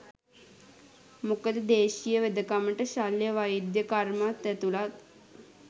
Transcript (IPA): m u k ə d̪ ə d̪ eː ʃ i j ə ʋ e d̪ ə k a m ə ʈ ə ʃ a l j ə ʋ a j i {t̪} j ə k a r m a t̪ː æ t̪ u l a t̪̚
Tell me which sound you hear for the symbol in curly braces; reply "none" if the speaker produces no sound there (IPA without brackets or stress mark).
d̪